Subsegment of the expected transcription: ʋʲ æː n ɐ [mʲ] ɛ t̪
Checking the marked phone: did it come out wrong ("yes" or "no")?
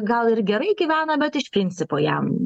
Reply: yes